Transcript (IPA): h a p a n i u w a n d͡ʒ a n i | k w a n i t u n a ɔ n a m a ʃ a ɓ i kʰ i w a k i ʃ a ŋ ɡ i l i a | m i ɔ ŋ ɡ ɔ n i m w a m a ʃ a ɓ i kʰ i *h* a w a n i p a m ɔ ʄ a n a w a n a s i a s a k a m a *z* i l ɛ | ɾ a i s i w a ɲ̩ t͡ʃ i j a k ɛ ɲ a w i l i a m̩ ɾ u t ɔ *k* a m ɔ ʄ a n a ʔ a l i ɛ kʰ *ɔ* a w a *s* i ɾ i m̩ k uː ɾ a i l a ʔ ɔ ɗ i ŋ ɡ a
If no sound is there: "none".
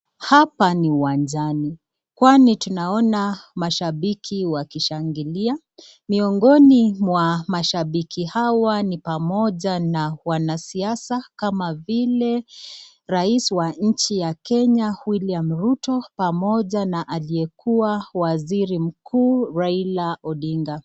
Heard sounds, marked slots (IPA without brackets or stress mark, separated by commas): h, v, p, u, z